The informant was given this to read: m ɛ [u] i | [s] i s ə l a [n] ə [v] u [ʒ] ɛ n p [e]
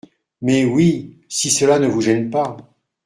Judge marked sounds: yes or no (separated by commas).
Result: no, yes, yes, yes, yes, no